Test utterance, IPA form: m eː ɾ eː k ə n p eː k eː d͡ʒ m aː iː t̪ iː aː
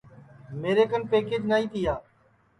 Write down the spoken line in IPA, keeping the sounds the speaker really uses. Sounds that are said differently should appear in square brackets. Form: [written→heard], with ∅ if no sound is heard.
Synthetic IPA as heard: m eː ɾ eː k ə n p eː k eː d͡ʒ [m→n] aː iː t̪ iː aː